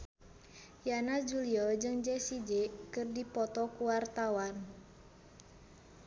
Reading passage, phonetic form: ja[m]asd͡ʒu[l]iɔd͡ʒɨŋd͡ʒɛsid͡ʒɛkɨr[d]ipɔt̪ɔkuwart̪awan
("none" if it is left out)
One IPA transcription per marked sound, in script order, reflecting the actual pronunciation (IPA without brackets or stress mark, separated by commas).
n, l, d